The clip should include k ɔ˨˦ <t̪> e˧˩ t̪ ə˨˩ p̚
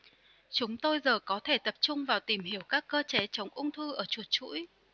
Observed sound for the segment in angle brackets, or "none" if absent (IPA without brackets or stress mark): t̪ʰ